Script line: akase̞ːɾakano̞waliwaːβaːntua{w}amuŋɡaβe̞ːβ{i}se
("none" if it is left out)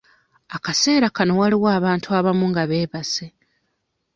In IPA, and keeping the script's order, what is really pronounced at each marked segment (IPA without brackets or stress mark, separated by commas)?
β, a